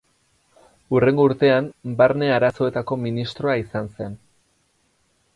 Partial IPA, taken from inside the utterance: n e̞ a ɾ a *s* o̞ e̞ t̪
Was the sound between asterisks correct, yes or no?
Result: yes